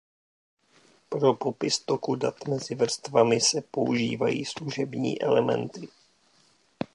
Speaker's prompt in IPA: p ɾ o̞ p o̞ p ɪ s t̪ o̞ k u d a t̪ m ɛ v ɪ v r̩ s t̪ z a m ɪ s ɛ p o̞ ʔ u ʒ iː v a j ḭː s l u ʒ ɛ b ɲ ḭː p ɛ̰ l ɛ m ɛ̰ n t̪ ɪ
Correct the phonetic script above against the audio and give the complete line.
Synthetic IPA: p ɾ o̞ p o̞ p ɪ s t̪ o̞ k u d a t̪ m ɛ z ɪ v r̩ s t̪ v a m ɪ s ɛ p o̞ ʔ u ʒ iː v a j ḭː s l u ʒ ɛ b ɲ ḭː ʔ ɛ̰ l ɛ m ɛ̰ n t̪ ɪ